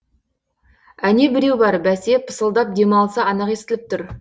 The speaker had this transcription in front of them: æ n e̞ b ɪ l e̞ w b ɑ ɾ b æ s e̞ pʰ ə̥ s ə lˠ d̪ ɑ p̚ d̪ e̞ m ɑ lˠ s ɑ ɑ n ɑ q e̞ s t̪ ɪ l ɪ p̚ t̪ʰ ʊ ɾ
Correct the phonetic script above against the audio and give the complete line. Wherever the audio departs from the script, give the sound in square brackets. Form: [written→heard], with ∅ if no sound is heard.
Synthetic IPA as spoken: æ n e̞ b ɪ [l→ɾ] e̞ w b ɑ ɾ b æ s e̞ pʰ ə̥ s ə lˠ d̪ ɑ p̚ d̪ e̞ m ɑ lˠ s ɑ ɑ n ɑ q e̞ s t̪ ɪ l ɪ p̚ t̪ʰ ʊ ɾ